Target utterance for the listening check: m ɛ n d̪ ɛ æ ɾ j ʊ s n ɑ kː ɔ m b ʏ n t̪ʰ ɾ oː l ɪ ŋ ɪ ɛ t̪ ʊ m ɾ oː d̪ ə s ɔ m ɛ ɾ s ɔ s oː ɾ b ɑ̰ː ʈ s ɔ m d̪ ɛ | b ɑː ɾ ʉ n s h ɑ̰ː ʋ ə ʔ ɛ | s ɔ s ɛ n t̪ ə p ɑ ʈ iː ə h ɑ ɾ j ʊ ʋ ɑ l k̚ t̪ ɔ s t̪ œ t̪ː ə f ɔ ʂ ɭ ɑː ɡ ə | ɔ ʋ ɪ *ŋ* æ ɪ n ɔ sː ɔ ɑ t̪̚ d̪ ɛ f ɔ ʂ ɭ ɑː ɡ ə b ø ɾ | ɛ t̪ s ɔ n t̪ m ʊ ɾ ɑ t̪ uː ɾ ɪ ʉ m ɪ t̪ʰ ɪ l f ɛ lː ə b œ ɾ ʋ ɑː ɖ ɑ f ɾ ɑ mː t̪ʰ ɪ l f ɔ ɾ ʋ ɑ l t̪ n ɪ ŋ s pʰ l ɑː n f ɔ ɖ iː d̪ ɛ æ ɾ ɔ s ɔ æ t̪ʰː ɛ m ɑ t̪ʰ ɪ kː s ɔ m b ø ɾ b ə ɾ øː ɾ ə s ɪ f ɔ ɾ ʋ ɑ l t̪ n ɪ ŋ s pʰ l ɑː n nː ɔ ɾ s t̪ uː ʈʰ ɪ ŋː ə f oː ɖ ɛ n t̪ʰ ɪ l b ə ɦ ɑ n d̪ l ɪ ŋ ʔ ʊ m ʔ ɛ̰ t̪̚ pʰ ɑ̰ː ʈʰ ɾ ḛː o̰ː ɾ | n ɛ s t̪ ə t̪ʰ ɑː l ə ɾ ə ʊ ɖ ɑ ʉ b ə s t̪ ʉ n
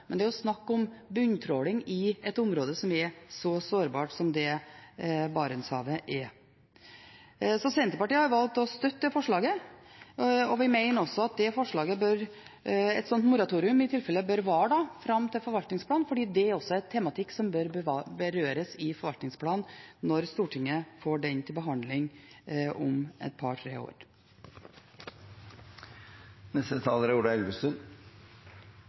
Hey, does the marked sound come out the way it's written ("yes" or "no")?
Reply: no